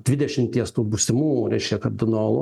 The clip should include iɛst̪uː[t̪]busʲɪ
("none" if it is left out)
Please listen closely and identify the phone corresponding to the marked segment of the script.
none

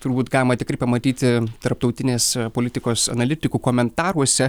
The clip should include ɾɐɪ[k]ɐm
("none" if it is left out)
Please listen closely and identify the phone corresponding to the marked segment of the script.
p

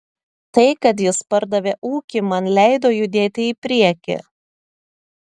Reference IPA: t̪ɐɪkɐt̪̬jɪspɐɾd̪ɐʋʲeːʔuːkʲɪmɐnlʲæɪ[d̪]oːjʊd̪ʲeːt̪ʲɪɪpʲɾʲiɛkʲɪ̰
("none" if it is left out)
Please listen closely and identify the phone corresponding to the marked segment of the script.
d̪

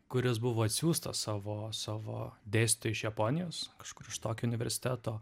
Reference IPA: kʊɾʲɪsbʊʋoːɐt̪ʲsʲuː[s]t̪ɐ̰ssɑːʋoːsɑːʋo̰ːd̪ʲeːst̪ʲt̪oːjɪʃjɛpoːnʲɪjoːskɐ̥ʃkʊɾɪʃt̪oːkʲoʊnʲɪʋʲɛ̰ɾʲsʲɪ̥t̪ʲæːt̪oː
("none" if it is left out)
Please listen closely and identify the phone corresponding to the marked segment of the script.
s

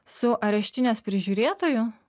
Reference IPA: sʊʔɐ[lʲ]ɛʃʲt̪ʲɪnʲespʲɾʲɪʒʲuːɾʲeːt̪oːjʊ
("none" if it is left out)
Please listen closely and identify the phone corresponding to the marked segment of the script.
ɾʲ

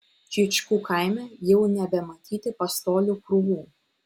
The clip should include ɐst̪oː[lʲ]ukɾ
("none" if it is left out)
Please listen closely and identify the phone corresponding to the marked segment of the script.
lʲ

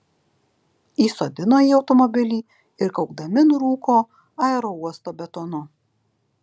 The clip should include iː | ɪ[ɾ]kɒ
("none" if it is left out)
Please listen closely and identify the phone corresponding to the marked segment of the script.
ɾ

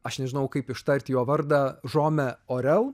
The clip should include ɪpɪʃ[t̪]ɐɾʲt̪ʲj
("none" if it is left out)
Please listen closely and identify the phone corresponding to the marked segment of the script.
t̪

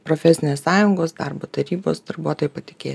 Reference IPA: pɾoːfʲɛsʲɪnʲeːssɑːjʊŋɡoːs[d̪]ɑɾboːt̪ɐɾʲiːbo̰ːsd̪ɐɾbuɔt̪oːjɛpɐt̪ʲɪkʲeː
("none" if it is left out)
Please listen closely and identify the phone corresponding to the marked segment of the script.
d̪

